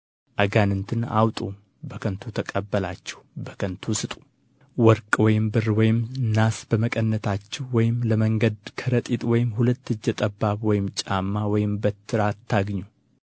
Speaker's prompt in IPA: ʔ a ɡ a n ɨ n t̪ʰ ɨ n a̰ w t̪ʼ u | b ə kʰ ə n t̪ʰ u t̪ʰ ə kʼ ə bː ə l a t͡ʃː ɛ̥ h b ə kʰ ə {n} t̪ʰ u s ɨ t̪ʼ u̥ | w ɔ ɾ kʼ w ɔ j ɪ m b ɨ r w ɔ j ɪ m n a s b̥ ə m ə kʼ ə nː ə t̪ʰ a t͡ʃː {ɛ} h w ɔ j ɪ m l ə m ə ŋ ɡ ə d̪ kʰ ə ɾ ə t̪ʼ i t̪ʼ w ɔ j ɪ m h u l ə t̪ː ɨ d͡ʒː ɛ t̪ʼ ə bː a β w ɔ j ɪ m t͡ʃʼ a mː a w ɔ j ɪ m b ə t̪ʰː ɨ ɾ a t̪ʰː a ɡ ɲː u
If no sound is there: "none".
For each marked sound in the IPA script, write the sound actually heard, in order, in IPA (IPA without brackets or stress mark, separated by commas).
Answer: n, ɛ